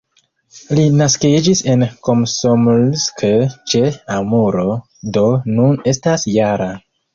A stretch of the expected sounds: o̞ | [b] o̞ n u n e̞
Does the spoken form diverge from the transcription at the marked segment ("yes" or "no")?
yes